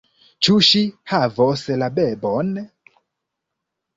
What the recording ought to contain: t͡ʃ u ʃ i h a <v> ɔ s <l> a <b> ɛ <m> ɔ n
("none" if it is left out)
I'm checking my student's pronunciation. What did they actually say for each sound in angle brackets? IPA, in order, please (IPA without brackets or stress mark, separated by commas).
v, l, b, b